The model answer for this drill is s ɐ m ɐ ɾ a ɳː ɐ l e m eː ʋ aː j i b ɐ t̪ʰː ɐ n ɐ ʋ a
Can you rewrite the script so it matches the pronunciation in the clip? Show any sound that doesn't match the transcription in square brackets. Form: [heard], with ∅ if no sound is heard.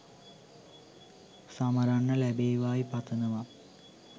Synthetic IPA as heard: s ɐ m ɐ ɾ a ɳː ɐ l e [b] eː ʋ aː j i [p] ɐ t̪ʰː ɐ n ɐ ʋ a